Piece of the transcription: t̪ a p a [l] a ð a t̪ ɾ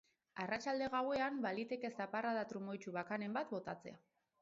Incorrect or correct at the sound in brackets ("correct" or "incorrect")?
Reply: incorrect